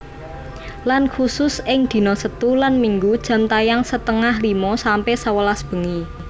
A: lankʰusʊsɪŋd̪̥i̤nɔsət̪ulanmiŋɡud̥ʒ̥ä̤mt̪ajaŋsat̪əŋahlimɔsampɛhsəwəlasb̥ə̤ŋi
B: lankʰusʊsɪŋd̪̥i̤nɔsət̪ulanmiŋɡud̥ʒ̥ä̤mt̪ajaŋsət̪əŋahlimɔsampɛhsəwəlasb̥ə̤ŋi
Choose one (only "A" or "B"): B